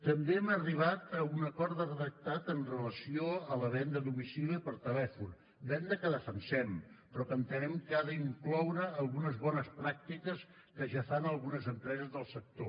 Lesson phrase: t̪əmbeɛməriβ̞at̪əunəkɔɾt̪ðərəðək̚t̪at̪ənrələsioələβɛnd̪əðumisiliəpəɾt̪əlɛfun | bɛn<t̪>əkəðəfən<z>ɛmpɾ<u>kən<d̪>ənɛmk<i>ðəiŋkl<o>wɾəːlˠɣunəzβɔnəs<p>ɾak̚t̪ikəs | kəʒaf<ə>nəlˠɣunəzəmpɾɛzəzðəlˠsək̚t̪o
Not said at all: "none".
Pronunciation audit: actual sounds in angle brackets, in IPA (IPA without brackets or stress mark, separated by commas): d̪, s, ɔ, t̪, a, ɔ, p, a